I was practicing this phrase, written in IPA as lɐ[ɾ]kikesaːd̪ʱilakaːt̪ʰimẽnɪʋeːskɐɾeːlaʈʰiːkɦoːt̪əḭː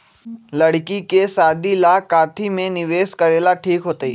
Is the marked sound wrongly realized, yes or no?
yes